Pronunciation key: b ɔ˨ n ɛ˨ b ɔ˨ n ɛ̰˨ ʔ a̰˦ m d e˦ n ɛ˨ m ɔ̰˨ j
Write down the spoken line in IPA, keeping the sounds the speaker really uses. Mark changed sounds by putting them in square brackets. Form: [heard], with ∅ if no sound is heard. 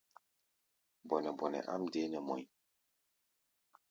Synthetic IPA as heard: b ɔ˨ n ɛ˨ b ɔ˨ n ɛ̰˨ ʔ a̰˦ m d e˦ n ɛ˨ m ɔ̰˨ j